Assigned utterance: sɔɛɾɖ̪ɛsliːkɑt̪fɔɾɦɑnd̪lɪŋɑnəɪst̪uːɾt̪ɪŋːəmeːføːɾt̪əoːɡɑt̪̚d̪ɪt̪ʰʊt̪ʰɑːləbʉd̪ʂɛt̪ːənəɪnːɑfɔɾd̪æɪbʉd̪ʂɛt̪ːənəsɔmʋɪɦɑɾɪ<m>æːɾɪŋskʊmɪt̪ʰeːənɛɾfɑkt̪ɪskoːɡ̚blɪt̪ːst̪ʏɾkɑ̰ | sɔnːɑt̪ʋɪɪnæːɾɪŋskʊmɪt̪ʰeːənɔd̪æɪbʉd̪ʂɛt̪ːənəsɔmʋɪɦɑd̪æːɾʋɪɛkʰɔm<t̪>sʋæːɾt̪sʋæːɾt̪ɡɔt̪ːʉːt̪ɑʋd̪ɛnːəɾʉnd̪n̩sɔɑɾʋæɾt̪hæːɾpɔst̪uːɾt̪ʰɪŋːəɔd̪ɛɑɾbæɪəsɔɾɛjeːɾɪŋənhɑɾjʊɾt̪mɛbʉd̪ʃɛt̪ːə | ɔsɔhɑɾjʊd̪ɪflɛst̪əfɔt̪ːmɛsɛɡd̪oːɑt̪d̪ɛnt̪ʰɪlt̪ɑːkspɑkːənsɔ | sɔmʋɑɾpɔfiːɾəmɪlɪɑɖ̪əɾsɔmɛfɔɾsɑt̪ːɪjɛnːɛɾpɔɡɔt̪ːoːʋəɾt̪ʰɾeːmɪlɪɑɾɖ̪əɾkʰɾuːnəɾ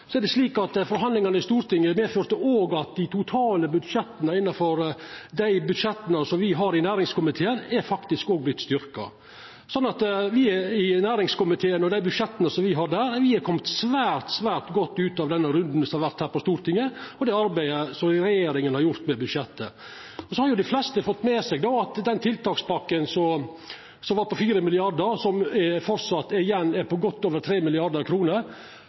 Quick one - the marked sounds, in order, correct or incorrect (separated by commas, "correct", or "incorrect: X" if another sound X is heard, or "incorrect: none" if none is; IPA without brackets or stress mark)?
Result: incorrect: n, correct